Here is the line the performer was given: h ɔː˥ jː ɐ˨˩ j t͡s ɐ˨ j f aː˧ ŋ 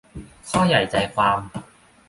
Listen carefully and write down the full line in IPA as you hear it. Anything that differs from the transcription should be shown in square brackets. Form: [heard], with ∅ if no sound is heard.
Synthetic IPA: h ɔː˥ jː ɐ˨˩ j t͡s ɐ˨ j f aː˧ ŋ